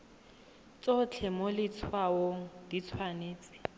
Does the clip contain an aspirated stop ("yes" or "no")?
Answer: yes